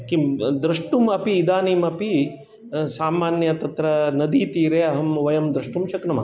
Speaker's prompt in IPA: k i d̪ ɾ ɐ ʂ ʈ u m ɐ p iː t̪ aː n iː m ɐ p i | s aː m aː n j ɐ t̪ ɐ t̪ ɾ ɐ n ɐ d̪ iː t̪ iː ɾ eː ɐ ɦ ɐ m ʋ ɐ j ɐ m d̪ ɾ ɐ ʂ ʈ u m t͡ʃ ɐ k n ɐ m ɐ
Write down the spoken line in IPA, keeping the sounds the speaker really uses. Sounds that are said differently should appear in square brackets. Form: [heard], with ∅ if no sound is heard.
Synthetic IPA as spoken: k i d̪ ɾ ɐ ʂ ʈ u m ɐ p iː [d̪] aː n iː m ɐ p i | s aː m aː n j ɐ t̪ ɐ t̪ ɾ ɐ n ɐ d̪ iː t̪ iː ɾ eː ɐ ɦ ɐ m ʋ ɐ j ɐ m d̪ ɾ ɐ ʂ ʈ u m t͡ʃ ɐ k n ɐ m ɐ

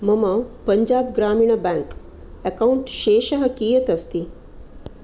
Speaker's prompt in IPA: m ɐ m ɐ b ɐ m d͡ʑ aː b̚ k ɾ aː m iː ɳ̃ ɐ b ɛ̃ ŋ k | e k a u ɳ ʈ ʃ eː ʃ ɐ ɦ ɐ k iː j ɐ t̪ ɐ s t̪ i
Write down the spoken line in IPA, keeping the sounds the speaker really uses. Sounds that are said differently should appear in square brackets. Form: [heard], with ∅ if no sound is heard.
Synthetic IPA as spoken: m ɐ m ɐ [p] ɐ [ɲ] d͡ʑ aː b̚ [ɡ] ɾ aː m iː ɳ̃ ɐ b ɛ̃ ŋ k | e k a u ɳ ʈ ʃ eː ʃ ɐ ɦ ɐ k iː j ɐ t̪ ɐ s t̪ i

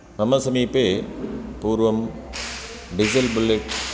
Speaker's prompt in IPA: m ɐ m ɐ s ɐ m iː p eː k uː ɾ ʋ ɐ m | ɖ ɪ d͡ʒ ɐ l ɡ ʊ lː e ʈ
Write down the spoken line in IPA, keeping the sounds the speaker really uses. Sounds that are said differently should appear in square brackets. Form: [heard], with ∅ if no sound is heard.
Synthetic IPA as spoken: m ɐ m ɐ s ɐ m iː p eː [p] uː ɾ ʋ ɐ m | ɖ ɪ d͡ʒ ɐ l [b] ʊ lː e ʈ

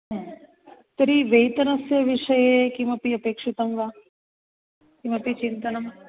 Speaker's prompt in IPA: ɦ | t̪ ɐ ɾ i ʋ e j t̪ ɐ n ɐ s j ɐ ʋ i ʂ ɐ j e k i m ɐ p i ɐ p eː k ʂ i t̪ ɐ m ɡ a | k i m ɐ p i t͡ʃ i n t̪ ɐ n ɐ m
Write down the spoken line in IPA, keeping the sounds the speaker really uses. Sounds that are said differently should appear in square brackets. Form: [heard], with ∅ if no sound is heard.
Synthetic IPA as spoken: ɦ | t̪ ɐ ɾ i ʋ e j t̪ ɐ n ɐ s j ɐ ʋ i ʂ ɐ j e k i m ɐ p i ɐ p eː k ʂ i t̪ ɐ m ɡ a | k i m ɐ p i t͡ʃ i n t̪ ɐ n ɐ m

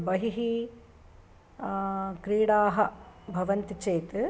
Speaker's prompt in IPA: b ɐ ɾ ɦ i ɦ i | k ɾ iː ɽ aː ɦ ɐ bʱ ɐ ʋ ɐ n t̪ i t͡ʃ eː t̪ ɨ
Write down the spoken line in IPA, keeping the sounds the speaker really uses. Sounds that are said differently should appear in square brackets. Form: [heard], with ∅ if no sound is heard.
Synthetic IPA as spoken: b ɐ [∅] ɦ i ɦ i | k ɾ iː ɽ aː ɦ ɐ bʱ ɐ ʋ ɐ n t̪ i t͡ʃ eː t̪ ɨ

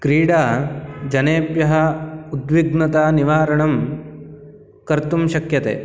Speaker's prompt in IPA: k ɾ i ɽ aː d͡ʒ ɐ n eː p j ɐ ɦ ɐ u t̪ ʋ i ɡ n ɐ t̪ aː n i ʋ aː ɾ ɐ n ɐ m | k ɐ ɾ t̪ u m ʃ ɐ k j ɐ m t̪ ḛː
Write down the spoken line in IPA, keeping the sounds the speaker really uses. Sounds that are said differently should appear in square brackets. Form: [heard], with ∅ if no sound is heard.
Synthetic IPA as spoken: k ɾ [iː] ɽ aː d͡ʒ ɐ n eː p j ɐ ɦ ɐ u [d̪] ʋ i ɡ n ɐ t̪ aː n i ʋ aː ɾ ɐ [ɳ] ɐ m | k ɐ ɾ t̪ u m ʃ ɐ k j ɐ [∅] t̪ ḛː

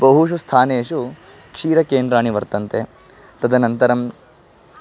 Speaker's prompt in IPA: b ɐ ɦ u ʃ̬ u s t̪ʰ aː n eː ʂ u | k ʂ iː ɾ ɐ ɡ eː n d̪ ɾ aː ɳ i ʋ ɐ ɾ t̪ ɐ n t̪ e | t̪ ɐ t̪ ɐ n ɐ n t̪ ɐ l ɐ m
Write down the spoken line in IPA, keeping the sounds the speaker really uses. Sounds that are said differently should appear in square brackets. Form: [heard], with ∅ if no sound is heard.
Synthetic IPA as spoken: b ɐ ɦ u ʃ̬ u s t̪ʰ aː n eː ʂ u | k ʂ iː ɾ ɐ [k] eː n d̪ ɾ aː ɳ i ʋ ɐ ɾ t̪ ɐ n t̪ e | t̪ ɐ [d̪] ɐ n ɐ n t̪ ɐ [ɾ] ɐ m

